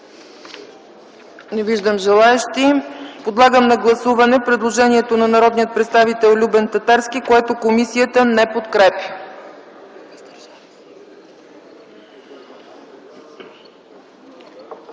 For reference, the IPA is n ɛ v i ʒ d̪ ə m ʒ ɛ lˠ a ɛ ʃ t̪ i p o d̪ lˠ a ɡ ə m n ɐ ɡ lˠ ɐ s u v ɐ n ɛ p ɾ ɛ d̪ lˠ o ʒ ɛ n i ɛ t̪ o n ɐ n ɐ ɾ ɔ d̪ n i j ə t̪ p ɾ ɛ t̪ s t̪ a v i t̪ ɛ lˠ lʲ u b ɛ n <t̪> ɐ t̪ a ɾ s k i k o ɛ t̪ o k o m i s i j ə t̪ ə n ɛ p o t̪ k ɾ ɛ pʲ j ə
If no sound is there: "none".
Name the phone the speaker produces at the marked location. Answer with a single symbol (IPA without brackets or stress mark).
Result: t̪